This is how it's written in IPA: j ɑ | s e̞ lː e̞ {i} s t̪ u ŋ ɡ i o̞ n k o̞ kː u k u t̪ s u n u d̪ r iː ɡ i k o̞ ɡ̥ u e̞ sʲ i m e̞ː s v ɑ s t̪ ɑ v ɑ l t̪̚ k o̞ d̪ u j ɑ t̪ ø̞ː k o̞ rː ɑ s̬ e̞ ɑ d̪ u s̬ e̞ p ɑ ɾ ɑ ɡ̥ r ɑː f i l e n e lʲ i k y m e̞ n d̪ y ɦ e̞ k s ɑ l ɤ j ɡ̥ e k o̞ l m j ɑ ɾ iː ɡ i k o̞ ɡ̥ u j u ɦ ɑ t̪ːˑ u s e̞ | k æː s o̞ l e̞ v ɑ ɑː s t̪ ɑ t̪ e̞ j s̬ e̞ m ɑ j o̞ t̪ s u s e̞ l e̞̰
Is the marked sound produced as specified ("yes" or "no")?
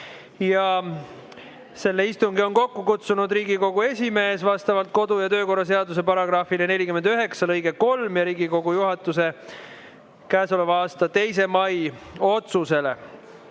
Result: yes